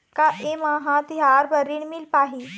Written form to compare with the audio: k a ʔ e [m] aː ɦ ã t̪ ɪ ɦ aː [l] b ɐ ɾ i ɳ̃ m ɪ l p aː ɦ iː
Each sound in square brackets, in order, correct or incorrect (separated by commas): correct, incorrect